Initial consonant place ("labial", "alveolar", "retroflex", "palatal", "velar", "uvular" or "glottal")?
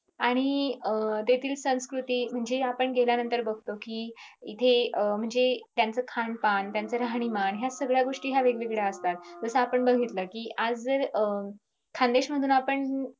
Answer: retroflex